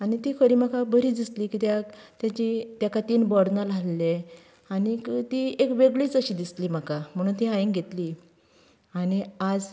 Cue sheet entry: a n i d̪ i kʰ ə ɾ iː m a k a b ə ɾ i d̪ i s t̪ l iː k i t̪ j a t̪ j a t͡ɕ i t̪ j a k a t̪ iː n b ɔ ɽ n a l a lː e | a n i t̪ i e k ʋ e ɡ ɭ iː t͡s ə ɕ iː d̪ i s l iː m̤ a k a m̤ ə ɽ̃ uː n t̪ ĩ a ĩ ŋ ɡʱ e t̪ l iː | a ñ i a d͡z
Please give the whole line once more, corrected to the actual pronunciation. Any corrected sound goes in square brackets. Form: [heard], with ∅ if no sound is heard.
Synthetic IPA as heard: a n i [t̪] i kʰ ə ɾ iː m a k a b ə ɾ i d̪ i s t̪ l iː k i t̪ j a t̪ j a t͡ɕ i t̪ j a k a t̪ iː n b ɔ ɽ n a l a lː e | a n i t̪ i e k ʋ e ɡ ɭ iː t͡s ə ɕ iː d̪ i s l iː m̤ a k a m̤ ə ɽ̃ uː n t̪ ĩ a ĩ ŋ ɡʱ e t̪ l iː | a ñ i a d͡z